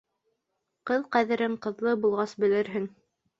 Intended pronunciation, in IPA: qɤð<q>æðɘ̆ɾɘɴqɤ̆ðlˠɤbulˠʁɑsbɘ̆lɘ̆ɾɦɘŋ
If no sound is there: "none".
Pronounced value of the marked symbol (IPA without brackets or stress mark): q